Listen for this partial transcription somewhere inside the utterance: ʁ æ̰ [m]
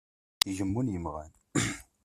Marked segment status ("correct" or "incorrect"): incorrect